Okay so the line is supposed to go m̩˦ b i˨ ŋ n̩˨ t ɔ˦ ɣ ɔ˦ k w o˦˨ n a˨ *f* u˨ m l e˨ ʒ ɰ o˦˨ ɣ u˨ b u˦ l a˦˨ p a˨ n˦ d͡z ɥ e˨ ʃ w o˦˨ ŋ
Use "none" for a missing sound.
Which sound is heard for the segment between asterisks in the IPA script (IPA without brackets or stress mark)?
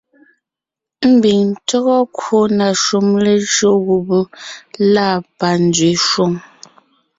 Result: ʃ